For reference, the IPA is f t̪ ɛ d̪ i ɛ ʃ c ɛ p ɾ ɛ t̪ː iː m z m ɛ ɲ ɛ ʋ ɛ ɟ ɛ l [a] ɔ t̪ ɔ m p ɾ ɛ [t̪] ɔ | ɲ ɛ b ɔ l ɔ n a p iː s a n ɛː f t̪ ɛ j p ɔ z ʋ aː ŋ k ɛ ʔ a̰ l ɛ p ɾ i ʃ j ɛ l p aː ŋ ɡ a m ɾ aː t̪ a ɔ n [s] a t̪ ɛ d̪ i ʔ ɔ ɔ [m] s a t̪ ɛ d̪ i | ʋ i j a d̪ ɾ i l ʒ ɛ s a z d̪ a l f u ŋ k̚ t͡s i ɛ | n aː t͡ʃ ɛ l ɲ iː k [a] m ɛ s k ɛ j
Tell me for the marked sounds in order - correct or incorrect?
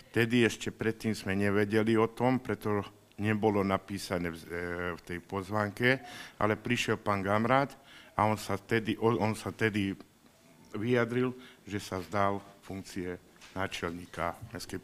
incorrect: i, correct, correct, incorrect: n, correct

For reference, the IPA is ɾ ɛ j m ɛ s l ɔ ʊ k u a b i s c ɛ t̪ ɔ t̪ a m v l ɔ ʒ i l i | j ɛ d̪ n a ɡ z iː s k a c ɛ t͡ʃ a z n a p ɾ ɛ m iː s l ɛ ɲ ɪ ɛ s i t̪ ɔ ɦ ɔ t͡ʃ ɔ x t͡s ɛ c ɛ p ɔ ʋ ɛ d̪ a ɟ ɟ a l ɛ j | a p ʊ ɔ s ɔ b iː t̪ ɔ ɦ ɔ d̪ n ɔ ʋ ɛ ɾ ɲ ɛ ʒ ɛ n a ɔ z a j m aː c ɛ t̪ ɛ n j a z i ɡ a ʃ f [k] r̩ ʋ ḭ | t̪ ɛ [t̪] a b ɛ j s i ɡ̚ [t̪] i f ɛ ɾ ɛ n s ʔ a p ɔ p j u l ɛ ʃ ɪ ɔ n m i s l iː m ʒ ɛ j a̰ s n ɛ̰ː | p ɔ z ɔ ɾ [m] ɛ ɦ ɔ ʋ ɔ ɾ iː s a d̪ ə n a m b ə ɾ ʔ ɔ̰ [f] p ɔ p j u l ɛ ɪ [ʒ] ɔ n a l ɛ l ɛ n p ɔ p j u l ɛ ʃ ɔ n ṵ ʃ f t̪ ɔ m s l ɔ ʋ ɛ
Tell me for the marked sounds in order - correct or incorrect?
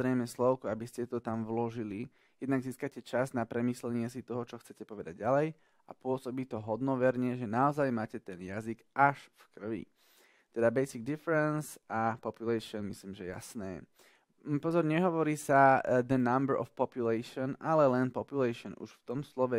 correct, incorrect: d̪, incorrect: d̪, incorrect: ɲ, correct, incorrect: ʃ

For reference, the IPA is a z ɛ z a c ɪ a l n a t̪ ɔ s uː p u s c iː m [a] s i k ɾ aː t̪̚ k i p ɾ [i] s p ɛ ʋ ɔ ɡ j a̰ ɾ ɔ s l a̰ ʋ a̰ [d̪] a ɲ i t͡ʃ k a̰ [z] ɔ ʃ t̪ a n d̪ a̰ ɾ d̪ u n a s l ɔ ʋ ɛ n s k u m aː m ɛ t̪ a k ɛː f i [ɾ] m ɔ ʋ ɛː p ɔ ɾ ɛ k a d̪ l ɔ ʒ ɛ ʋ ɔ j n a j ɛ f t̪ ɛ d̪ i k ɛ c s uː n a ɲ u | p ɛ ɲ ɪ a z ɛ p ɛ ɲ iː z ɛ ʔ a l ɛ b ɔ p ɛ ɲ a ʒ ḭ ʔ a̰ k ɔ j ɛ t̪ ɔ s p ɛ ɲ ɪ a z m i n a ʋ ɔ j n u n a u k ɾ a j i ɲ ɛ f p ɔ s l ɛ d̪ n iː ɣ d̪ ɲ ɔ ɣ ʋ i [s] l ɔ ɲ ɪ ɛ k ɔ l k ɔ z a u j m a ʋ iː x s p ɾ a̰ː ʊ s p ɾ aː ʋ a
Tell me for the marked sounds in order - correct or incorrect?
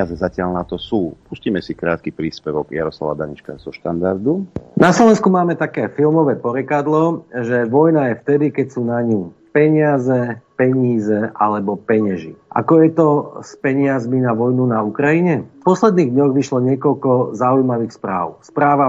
incorrect: ɛ, incorrect: iː, correct, correct, incorrect: l, incorrect: ʃ

